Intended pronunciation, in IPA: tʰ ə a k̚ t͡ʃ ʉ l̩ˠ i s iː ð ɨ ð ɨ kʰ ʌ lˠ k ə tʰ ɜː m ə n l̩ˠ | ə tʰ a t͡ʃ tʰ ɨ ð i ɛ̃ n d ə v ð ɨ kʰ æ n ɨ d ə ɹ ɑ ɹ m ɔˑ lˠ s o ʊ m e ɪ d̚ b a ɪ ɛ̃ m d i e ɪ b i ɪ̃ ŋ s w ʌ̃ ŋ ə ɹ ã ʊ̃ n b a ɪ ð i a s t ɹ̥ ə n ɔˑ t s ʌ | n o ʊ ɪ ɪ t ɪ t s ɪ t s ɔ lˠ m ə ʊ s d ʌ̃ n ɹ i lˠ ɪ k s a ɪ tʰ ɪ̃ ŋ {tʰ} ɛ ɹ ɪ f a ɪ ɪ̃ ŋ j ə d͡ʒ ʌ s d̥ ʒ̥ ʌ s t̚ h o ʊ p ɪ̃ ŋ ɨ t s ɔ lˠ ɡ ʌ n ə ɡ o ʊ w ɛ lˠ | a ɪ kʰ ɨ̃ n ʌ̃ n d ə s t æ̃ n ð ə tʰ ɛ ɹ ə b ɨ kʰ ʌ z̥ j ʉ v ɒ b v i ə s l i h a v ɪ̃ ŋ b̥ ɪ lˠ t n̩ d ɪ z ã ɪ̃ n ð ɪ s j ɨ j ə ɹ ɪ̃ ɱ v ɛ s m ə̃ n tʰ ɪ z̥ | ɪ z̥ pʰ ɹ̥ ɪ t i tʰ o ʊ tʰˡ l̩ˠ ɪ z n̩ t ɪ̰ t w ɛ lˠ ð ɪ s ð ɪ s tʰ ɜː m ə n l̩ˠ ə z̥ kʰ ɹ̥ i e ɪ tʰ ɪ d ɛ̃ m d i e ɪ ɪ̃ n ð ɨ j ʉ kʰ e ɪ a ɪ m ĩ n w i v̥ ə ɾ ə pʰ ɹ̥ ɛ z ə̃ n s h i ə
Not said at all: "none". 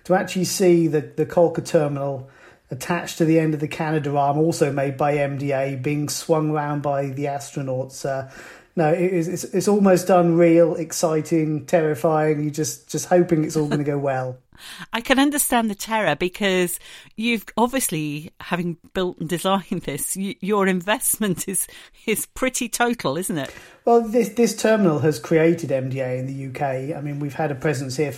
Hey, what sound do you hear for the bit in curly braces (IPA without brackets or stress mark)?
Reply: tʰ